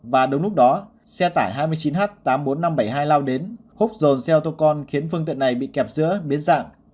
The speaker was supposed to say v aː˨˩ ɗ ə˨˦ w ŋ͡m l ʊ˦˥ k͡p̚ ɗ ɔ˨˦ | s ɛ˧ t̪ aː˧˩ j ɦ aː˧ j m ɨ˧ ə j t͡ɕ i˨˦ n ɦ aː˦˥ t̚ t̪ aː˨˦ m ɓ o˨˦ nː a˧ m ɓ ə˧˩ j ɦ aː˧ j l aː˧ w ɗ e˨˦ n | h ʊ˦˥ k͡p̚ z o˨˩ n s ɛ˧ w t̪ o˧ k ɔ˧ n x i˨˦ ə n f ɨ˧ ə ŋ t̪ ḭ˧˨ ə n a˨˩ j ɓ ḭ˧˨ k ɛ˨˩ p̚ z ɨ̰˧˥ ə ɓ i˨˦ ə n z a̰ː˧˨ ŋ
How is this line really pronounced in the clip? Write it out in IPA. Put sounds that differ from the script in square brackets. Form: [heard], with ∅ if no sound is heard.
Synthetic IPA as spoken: v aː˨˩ ɗ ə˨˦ w ŋ͡m l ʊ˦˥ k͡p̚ ɗ ɔ˨˦ | s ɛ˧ t̪ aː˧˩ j ɦ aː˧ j m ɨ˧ ə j t͡ɕ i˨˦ n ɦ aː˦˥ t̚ t̪ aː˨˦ m ɓ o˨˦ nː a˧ m ɓ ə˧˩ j ɦ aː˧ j l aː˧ w ɗ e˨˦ n | h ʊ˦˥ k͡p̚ z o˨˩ n s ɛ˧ w t̪ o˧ k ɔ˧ n x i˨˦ ə n f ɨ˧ ə ŋ t̪ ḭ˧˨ ə n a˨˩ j ɓ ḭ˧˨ k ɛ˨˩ p̚ z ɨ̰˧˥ ə ɓ i˨˦ ə n z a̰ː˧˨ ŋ